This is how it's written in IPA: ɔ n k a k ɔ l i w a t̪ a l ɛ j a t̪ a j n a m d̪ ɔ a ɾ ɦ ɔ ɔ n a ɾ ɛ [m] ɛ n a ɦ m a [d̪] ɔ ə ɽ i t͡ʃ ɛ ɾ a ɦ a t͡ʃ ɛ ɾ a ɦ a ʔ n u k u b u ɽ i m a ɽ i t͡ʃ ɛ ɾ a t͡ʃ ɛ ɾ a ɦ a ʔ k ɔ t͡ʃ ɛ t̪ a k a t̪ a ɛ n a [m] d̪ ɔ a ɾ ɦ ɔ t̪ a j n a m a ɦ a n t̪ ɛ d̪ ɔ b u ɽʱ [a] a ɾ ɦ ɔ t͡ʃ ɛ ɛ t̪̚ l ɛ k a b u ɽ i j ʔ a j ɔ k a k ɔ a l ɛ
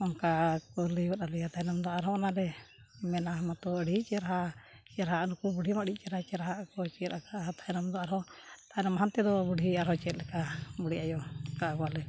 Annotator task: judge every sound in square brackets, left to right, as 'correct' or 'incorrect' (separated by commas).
correct, incorrect, correct, incorrect